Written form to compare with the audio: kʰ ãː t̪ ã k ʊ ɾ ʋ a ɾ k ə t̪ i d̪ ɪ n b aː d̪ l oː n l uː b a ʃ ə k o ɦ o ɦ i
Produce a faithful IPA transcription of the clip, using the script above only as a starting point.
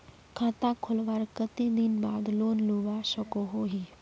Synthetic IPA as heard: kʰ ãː t̪ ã kʰ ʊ l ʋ a ɾ k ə t̪ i d̪ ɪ n b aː d̪ l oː n l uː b a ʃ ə k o ɦ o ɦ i